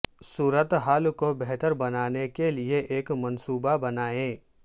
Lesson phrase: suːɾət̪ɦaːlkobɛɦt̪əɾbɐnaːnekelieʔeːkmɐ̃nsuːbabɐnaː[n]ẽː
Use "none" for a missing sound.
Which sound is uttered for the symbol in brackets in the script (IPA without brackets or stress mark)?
none